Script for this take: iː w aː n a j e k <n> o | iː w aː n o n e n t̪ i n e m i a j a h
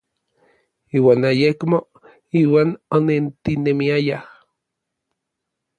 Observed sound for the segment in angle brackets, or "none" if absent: m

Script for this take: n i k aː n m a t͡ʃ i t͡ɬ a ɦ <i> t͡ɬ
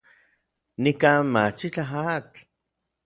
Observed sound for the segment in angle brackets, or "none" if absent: a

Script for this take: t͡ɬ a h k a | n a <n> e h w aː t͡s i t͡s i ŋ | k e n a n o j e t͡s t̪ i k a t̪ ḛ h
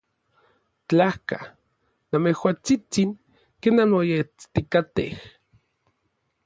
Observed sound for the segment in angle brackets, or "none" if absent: m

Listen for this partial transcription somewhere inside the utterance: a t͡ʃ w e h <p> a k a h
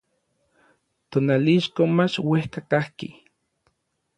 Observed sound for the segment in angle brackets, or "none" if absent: k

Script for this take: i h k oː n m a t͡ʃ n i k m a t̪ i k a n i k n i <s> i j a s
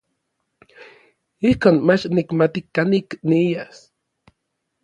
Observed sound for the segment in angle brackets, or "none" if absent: none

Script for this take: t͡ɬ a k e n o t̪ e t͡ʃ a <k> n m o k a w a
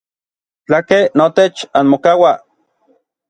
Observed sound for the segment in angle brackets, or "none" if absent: none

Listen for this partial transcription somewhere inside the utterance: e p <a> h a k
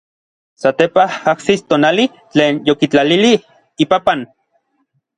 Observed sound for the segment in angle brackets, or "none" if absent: a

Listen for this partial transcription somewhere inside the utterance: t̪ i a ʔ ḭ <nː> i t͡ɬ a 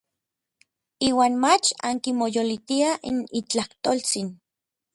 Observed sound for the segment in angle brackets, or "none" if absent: n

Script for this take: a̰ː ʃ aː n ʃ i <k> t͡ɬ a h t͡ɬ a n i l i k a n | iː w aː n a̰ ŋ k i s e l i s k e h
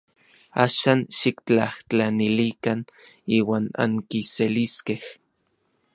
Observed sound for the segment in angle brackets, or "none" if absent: k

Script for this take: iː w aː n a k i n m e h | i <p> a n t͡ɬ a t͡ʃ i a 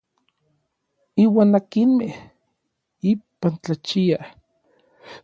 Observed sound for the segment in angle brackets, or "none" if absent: p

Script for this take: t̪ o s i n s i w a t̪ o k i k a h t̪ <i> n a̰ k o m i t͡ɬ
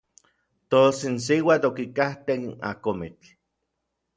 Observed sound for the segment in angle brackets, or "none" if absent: e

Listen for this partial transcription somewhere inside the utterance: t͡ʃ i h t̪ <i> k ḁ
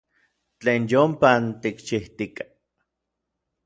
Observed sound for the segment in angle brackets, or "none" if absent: i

